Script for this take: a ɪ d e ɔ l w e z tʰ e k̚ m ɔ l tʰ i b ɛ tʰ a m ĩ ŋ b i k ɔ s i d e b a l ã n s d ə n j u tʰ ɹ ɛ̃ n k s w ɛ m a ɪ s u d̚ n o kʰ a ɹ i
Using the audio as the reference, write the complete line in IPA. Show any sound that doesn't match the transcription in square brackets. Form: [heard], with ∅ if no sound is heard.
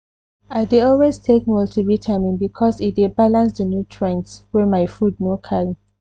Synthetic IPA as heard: a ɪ d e ɔ l w e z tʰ e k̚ m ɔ l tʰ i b [i] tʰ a m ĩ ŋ b i [kʰ] ɔ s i d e b a l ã n s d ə n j u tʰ ɹ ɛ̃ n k s w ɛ m a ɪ [f] u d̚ n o kʰ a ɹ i

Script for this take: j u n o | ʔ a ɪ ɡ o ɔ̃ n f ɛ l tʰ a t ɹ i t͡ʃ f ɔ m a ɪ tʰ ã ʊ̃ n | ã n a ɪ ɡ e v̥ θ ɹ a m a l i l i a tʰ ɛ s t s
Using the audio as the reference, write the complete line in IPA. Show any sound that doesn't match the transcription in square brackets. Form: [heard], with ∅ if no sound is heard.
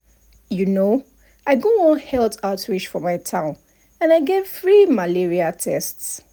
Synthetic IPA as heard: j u n o | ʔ a ɪ ɡ o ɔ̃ n [h] ɛ l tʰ a t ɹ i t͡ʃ f ɔ m a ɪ tʰ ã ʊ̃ n | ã n a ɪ ɡ e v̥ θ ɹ [i] m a l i [ɹ] i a tʰ ɛ s t s

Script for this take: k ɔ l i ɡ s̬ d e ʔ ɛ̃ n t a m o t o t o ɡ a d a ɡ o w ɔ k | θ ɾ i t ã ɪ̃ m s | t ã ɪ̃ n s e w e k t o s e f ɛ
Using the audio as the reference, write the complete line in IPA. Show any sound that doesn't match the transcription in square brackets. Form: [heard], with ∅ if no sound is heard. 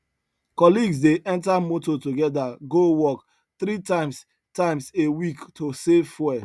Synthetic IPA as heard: k ɔ l i ɡ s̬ d e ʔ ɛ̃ n t a m o t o t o ɡ [ɛ] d a ɡ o w ɔ k | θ ɾ i t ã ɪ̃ m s | t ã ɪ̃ [m] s e w [i] k t o s e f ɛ

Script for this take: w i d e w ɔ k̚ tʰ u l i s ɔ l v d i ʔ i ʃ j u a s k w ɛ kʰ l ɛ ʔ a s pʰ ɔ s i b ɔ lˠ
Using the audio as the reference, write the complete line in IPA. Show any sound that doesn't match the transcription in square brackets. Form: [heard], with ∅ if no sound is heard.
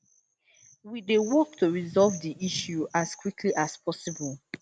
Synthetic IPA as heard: w i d e w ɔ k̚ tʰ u [ɹ] i [z] ɔ l v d i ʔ i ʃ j u a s k w [i] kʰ l [i] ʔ a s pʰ ɔ s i b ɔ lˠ

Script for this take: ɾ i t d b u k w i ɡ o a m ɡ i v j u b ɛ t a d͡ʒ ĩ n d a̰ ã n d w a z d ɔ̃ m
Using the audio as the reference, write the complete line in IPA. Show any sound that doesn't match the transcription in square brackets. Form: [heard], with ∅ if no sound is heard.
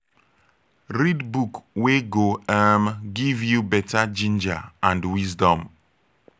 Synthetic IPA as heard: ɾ i [∅] d b u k w [e] ɡ o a m ɡ i v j u b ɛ t a d͡ʒ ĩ n [d͡ʒ] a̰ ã n d w [i] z d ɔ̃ m

